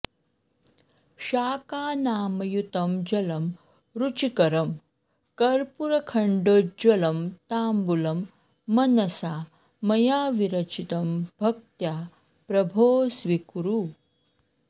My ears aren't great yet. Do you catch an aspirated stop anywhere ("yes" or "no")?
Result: yes